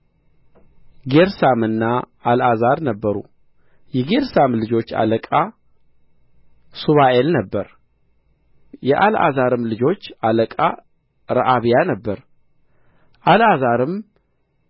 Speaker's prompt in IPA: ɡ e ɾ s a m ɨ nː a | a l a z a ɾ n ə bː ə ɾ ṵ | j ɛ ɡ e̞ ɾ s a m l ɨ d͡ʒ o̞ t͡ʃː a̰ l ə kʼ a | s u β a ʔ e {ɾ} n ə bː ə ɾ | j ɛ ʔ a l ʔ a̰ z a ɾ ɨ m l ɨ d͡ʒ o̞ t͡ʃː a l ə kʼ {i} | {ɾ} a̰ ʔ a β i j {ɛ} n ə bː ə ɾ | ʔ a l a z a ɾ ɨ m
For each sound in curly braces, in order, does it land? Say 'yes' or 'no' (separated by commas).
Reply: no, no, yes, no